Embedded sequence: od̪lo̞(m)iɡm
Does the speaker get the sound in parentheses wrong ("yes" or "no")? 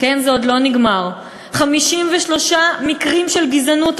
yes